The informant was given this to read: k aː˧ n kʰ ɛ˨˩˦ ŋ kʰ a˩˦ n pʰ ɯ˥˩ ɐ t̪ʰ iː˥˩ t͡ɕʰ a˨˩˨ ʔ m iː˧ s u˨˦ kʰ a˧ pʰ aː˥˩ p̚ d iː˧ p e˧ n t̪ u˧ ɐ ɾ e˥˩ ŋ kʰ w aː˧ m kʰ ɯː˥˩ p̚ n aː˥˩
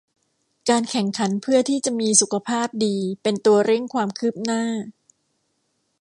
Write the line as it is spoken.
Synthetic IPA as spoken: k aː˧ n kʰ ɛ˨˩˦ ŋ kʰ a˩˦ n pʰ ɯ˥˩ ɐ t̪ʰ iː˥˩ t͡ɕ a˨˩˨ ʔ m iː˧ s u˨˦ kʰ a˧ pʰ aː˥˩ p̚ d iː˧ p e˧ n t̪ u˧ ɐ ɾ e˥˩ ŋ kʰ w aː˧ m kʰ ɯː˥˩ p̚ n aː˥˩